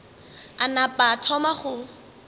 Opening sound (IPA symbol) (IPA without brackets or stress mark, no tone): a